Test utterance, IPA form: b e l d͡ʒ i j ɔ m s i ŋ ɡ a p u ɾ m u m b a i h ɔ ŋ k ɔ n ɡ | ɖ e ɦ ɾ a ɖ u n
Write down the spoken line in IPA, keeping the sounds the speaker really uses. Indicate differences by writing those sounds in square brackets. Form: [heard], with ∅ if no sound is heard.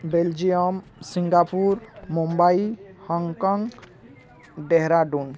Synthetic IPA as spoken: b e l d͡ʒ i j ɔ m s i ŋ ɡ a p u ɾ m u m b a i h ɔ ŋ k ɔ [ŋ] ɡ | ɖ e ɦ ɾ a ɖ u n